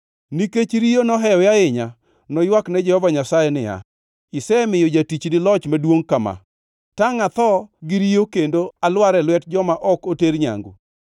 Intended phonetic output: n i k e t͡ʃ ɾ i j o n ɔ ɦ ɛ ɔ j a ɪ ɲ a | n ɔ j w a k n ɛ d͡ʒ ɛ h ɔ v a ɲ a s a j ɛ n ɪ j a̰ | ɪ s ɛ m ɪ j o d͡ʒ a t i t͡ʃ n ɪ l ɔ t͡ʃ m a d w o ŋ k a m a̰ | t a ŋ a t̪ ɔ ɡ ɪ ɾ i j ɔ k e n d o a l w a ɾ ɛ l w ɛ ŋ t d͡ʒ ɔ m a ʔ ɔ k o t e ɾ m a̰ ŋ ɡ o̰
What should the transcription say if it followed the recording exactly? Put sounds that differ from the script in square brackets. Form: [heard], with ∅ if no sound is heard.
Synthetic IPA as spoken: n i k e t͡ʃ ɾ i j o n ɔ ɦ ɛ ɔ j a ɪ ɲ a | n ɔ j w a k n ɛ d͡ʒ ɛ h ɔ v a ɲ a s a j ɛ n ɪ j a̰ | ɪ s ɛ m ɪ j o d͡ʒ a t i t͡ʃ n ɪ l ɔ t͡ʃ m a d w o ŋ k a m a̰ | t a ŋ a t̪ ɔ ɡ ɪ ɾ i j [o] k e n d o a l w a ɾ ɛ l w ɛ [∅] t d͡ʒ ɔ m a ʔ ɔ k o t e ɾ [ɲ] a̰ ŋ ɡ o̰